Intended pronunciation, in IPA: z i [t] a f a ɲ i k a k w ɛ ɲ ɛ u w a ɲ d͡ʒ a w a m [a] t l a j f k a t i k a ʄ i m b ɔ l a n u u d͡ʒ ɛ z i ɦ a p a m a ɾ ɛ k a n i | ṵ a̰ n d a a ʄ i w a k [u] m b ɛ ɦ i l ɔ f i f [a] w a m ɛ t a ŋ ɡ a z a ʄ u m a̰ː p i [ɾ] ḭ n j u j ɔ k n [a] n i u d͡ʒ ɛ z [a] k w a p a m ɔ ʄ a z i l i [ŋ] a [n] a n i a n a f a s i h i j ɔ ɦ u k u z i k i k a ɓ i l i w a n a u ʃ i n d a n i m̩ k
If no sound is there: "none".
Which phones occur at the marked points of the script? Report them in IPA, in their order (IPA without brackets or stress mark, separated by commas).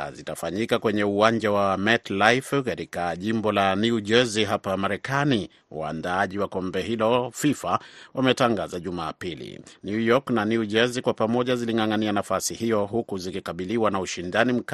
t, ɛ, ɔ, a, l, a, i, ŋ, ŋ